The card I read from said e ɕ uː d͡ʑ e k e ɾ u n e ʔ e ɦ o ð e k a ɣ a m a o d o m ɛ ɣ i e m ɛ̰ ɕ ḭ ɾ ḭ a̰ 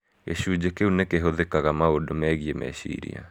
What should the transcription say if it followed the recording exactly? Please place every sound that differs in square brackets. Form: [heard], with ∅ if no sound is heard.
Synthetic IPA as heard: e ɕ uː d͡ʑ e k e [∅] u n e [k] e ɦ o ð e k a ɣ a m a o d o m ɛ ɣ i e m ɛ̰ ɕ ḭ ɾ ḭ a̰